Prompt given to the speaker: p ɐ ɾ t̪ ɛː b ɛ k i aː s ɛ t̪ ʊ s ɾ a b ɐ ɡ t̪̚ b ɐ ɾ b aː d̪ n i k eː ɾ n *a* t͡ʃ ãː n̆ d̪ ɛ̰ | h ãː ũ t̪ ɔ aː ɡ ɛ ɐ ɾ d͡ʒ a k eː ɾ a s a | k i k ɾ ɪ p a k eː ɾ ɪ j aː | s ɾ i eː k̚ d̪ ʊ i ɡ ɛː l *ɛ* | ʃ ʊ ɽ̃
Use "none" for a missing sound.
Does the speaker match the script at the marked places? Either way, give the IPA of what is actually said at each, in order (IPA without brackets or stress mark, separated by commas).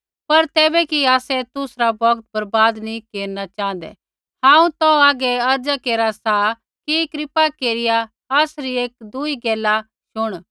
a, a